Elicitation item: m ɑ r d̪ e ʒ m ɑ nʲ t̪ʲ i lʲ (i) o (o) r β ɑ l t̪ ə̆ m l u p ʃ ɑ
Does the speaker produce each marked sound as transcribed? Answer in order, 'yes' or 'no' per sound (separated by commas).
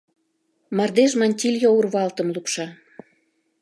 no, no